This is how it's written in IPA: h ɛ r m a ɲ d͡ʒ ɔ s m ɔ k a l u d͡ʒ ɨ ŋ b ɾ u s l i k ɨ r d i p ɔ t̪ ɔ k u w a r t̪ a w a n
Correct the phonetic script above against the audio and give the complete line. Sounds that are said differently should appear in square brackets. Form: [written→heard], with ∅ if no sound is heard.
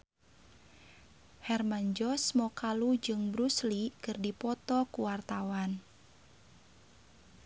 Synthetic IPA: h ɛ r m a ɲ d͡ʒ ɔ s m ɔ k a l u d͡ʒ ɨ ŋ b ɾ u s l i k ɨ r d i p ɔ t̪ ɔ k u w a r t̪ a w a n